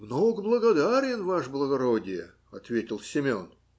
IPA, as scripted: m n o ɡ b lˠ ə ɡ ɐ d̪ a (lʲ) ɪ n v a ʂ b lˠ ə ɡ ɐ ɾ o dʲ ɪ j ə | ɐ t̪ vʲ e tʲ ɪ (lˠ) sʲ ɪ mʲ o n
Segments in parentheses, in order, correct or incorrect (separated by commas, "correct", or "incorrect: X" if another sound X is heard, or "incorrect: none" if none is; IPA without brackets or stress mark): incorrect: ɾʲ, correct